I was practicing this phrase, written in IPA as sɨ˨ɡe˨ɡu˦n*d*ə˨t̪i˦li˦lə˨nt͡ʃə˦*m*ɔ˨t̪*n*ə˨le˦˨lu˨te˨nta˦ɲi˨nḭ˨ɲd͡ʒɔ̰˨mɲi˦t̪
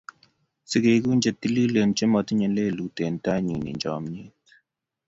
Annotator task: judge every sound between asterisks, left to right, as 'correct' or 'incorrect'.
incorrect, correct, incorrect

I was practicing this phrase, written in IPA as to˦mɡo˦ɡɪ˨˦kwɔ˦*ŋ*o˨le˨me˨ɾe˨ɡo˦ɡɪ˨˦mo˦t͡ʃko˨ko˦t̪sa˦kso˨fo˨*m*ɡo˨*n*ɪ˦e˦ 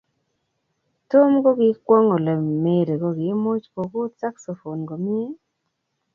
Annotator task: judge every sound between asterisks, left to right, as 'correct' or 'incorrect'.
correct, incorrect, incorrect

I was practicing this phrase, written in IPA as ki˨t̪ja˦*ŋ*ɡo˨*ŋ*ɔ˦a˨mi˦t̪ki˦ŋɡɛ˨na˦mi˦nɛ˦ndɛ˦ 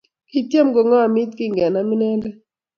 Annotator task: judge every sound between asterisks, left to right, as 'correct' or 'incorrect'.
incorrect, correct

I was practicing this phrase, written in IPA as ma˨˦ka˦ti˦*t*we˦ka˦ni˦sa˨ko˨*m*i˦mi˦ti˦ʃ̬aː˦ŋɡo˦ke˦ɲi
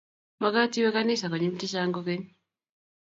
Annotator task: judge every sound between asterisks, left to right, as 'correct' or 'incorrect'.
incorrect, incorrect

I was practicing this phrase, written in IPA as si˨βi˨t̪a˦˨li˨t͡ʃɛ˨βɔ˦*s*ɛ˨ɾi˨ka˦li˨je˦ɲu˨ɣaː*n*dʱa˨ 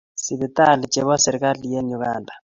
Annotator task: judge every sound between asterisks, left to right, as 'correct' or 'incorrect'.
correct, correct

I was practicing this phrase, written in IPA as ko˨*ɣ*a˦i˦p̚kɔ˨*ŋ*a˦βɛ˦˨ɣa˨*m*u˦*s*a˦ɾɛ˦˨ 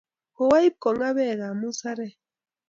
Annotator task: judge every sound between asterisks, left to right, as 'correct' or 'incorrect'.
incorrect, correct, correct, correct

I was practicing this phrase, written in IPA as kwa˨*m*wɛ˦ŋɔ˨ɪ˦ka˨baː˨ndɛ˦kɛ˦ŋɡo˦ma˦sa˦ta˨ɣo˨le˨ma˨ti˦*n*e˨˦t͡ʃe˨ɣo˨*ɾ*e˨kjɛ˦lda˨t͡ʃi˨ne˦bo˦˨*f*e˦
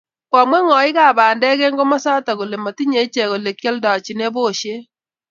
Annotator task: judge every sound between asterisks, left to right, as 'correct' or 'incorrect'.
correct, incorrect, incorrect, incorrect

